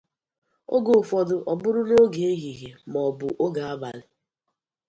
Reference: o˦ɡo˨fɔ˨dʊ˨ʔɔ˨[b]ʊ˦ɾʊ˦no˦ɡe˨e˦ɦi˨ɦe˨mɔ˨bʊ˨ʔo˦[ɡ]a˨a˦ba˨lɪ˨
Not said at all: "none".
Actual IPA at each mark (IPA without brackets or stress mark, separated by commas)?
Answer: b, ɡ